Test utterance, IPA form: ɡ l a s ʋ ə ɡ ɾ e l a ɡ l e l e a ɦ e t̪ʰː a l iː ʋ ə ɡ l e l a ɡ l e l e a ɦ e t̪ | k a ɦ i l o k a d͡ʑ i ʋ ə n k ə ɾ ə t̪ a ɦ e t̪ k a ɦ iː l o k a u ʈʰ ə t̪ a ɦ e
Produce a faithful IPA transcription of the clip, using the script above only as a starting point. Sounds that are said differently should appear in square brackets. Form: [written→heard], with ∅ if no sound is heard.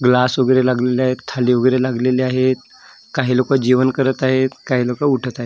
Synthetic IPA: ɡ l a s ʋ ə ɡ ɾ e l a ɡ l e l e a ɦ e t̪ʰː a l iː ʋ ə ɡ [l→ɾ] e l a ɡ l e l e a ɦ e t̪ | k a ɦ i l o k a d͡ʑ i ʋ ə n k ə ɾ ə t̪ a ɦ e t̪ k a ɦ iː l o k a u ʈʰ ə t̪ a ɦ e